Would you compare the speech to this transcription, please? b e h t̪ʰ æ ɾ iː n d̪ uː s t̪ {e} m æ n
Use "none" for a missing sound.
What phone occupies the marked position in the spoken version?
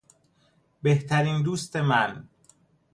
e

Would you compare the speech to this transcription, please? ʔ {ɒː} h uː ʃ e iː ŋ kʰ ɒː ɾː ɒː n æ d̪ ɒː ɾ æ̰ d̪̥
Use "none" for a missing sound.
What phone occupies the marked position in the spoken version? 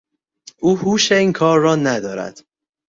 uː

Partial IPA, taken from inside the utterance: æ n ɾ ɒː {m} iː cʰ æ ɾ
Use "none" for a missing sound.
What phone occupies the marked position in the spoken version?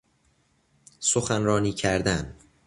n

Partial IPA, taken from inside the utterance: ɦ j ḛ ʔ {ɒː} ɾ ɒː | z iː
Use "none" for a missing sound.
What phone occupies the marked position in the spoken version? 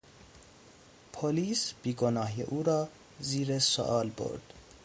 uː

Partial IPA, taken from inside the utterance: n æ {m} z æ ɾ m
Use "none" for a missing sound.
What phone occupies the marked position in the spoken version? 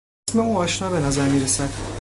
none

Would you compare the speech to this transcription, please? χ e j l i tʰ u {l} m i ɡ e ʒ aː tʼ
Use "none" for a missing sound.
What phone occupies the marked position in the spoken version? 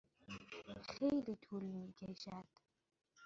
l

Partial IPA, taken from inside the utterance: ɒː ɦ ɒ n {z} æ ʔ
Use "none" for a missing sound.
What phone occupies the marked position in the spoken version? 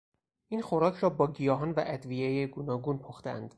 v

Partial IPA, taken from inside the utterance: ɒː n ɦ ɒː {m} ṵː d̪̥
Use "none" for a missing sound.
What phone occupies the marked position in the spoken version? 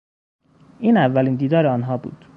b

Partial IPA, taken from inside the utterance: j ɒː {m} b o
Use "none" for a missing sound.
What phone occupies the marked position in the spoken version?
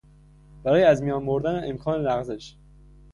n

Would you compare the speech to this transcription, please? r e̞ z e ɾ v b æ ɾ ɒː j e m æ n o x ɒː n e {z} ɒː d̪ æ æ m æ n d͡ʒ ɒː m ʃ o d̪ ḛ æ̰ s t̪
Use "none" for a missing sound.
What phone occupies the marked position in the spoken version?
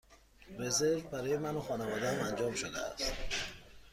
v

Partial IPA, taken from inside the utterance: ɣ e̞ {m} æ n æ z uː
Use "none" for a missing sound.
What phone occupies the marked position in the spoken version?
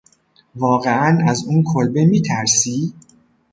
none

